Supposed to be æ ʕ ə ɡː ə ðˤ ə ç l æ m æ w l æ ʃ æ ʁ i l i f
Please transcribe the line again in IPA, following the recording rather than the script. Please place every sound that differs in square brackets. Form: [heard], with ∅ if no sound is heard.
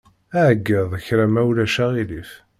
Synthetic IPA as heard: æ ʕ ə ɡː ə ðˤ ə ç [ɾ] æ m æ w l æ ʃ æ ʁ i l i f